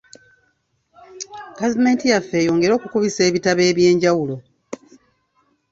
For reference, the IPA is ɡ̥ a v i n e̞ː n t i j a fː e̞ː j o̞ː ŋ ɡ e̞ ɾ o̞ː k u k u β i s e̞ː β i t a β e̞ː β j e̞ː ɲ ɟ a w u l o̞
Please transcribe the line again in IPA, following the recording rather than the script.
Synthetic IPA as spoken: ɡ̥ a v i m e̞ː n t i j a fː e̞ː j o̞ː ŋ ɡ e̞ ɾ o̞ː k u k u β i s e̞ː β i t a β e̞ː β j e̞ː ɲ ɟ a w u l o̞

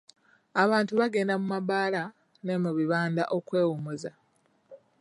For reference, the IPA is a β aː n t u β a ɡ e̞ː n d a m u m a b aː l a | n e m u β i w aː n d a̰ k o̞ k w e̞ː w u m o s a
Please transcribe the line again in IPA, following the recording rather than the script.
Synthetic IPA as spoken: a β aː n t u β a ɡ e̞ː n d a m u m a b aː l a | n e m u β i β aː n d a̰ ʔ o̞ k w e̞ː w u m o z a

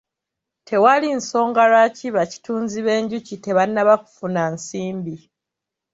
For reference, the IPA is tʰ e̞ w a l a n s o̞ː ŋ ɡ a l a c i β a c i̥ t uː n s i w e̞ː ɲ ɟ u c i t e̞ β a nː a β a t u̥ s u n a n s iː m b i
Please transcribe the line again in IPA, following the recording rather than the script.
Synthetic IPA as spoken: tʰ e̞ w a l i n s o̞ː ŋ ɡ a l a c i β a c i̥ t uː n z i β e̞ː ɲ ɟ u c i t e̞ β a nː a β a k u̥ f u n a n s iː m b i

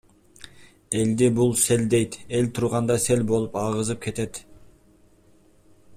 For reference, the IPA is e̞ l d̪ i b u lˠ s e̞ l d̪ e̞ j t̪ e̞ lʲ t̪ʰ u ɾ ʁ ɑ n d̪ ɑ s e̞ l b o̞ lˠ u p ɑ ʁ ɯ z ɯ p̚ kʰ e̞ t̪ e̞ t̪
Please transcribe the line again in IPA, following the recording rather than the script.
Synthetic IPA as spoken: e̞ l d̪ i b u lˠ s e̞ l d̪ e̞ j t̪ e̞ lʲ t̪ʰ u ɾ ʁ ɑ n d̪ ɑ s e̞ l b o̞ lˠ u p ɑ ʁ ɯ z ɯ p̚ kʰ e̞ t̪ e̞ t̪

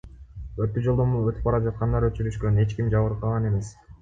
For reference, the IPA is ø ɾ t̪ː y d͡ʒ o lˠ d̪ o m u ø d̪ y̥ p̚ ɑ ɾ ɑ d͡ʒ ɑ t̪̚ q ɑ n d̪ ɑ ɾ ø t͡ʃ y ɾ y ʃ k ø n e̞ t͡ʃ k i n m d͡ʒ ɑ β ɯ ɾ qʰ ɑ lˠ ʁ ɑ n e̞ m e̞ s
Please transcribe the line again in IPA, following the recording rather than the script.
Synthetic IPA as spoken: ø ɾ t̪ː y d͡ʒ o lˠ d̪ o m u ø t̪ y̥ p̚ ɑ ɾ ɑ d͡ʒ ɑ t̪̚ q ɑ n d̪ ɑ ɾ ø t͡ʃ y ɾ y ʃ k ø n e̞ t͡ʃ k i m d͡ʒ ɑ β ɯ ɾ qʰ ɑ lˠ ʁ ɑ n e̞ m e̞ s

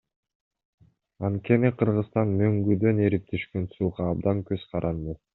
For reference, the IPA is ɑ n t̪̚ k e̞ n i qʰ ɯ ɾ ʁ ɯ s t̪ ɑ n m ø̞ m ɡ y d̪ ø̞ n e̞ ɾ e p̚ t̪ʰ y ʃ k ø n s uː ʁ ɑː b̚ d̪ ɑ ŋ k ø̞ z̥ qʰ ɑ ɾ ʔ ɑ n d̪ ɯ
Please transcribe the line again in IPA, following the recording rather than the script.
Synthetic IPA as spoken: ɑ n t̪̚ k e̞ n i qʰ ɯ ɾ ʁ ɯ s t̪ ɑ n m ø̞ ŋ ɡ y d̪ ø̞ n e̞ ɾ i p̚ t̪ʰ y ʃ k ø n s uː ʁ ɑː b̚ d̪ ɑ ŋ k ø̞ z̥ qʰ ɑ ɾ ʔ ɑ n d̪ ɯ

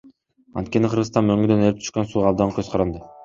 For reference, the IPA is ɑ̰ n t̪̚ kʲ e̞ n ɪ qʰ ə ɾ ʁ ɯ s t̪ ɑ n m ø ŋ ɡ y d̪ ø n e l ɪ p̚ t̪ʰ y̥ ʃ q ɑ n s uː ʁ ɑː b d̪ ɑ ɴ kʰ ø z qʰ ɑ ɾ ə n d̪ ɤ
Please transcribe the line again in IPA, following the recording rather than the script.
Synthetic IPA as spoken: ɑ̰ n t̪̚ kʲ e̞ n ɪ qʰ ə ɾ ʁ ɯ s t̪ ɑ n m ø ŋ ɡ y d̪ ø n e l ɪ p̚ t̪ʰ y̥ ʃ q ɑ n s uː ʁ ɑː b d̪ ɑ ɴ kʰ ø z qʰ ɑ ɾ ɑ n d̪ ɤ

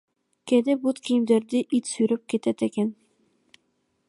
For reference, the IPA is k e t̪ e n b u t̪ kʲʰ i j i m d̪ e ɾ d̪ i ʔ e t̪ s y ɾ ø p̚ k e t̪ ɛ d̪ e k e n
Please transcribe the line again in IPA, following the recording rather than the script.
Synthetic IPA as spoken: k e d̪ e b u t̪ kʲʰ i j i m d̪ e ɾ d̪ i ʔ i t̪ s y ɾ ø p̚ k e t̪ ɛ t̪ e k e n

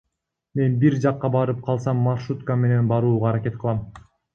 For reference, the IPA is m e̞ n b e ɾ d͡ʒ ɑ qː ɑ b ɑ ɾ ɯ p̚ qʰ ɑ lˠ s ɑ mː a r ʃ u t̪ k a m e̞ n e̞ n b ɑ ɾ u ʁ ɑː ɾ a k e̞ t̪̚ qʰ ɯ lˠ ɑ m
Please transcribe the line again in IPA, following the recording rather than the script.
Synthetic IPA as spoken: m e̞ n b i ɾ d͡ʒ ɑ qː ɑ b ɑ ɾ ɯ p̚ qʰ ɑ lˠ s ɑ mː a r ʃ u t̪ k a m e̞ n e̞ n b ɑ ɾ uː ʁ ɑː ɾ a k e̞ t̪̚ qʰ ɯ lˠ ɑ m

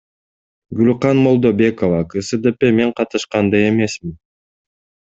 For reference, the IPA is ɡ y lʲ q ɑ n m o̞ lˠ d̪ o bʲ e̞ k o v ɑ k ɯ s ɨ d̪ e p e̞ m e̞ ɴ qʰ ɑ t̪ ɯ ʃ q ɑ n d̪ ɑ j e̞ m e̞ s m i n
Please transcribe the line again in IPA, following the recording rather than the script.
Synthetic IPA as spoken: ɡ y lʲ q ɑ n m o̞ lˠ d̪ o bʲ e̞ k o v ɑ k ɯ s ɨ d̪ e p e̞ m e̞ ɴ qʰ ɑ t̪ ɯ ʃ q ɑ n d̪ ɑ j e̞ m e̞ s m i n

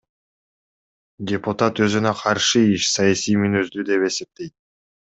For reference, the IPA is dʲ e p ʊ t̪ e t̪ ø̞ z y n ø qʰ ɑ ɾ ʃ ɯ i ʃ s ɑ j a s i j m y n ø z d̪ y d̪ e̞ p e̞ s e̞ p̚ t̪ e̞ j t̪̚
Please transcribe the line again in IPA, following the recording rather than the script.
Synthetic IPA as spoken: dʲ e p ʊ t̪ a t̪ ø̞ z y n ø qʰ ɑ ɾ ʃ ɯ i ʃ s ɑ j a s i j m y n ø z d̪ y d̪ e̞ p e̞ s e̞ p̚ t̪ e̞ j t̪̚

